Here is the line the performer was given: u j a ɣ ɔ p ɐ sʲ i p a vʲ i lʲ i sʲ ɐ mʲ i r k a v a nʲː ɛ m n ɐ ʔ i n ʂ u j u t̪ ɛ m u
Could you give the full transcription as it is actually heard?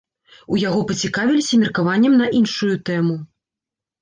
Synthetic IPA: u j a ɣ ɔ p ɐ t͡sʲ i k a vʲ i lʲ i sʲ ɐ mʲ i r k a v a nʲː ɛ m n ɐ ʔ i n ʂ u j u t̪ ɛ m u